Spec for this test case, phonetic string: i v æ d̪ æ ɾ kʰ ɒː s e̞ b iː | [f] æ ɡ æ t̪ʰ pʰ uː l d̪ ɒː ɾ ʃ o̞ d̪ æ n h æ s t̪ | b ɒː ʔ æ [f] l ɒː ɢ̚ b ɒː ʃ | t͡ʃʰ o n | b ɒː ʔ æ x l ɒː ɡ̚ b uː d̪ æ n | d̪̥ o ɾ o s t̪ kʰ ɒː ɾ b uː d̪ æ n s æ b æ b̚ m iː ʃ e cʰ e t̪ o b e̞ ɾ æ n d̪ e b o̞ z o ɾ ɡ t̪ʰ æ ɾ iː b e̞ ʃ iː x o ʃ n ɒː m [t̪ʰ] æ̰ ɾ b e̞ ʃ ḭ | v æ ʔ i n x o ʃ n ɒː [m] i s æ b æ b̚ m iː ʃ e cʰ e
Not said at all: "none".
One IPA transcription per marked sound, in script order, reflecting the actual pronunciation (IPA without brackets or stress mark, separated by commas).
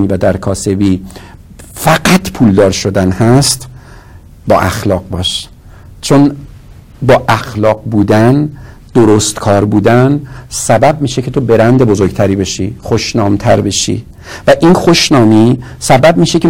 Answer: f, x, t̪ʰ, m